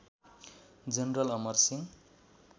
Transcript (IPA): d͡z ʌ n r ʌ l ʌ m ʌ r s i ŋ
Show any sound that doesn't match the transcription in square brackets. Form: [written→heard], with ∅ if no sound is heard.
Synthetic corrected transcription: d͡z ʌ n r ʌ l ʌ m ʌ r s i ŋ